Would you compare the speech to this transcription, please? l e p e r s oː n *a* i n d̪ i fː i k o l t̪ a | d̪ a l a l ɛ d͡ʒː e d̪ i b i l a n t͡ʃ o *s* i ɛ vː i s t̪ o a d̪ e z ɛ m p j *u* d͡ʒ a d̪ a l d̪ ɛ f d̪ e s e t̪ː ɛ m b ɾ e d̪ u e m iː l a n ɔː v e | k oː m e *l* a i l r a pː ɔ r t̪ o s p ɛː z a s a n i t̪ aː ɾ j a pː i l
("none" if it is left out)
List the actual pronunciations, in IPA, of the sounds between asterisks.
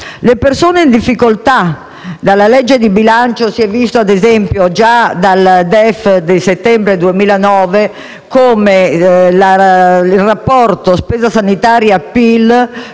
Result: e, s, o, l

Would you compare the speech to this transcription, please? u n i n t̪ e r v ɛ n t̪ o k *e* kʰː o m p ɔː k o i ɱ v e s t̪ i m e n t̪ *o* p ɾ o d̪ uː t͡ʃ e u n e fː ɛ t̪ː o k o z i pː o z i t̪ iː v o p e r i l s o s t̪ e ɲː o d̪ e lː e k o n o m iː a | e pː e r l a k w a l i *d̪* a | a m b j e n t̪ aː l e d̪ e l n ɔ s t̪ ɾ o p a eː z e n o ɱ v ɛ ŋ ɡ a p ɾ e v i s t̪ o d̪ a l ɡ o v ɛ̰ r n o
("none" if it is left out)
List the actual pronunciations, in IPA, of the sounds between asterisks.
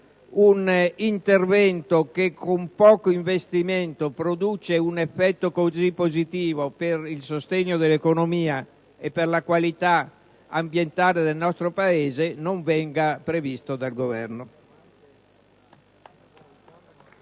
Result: e, o, t̪

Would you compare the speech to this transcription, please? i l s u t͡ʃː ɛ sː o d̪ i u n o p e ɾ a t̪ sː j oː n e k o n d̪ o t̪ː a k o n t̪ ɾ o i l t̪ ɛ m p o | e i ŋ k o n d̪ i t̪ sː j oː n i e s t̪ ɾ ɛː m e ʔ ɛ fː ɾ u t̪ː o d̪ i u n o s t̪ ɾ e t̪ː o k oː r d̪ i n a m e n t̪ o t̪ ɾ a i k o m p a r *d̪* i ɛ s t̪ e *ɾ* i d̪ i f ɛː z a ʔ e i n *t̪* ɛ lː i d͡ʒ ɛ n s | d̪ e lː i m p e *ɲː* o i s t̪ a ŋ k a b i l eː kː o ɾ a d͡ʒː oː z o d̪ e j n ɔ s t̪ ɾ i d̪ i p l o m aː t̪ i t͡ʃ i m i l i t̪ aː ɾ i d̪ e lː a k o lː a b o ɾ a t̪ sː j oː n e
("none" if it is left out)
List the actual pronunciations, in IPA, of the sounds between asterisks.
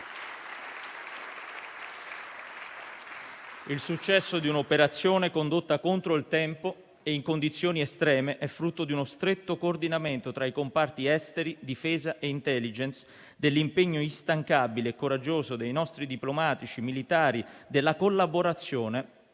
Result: t̪, ɾ, t̪, ɲː

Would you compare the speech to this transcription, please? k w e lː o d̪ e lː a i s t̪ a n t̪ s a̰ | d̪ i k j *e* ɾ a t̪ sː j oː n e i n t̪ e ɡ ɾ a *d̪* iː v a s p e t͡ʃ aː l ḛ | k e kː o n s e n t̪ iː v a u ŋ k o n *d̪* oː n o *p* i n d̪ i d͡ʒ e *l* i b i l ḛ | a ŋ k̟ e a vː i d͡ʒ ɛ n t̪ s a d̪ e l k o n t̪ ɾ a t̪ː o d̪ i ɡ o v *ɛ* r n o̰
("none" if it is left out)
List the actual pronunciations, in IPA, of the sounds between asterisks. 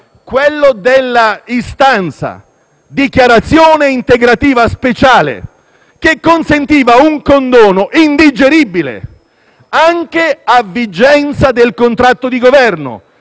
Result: a, t̪, d̪, ʔ, ɾ, ɛ

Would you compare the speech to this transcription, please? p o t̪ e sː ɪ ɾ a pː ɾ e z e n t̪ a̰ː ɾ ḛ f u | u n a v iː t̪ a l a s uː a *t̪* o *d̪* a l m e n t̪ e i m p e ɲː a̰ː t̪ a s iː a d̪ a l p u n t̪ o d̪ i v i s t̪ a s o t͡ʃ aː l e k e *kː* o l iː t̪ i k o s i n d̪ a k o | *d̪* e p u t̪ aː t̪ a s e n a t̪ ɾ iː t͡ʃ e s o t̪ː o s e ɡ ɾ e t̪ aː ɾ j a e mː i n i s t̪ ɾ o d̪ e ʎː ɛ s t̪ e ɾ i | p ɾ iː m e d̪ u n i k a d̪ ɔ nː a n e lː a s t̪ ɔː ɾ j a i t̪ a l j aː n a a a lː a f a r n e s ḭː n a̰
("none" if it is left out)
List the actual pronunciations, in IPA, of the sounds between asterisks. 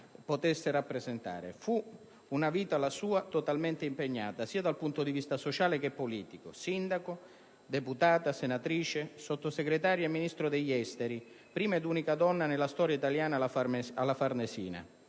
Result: t̪, t̪, pː, d̪

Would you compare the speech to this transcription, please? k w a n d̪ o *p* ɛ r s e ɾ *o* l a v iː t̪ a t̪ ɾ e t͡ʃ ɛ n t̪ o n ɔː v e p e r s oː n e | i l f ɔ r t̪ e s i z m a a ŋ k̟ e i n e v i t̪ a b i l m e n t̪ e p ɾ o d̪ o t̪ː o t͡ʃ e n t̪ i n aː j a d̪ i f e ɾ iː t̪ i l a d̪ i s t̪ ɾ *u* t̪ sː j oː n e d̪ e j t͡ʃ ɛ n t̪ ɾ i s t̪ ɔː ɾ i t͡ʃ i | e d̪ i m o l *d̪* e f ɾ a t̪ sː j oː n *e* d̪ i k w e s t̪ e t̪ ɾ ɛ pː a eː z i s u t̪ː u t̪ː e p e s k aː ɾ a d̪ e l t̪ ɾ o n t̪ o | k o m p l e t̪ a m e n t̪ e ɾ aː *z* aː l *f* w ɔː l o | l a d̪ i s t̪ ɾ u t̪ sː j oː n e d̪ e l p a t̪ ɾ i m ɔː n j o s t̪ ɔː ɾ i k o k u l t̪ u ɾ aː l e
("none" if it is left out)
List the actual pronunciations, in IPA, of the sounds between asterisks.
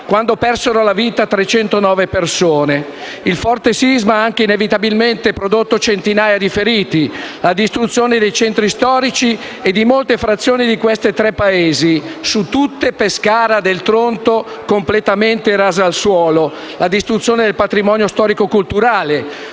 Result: p, o, u, t̪, i, z, s

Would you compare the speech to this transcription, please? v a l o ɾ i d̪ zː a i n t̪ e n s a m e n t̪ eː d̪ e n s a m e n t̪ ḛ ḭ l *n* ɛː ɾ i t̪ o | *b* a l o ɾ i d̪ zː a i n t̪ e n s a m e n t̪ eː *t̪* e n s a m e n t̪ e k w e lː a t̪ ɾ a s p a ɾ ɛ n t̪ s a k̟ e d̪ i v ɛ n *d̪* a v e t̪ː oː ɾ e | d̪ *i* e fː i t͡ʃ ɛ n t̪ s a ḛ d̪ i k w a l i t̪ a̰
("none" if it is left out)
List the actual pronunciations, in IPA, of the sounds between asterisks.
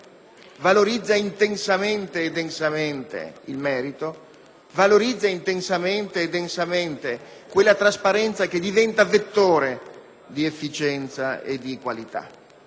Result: m, v, d̪, t̪, i

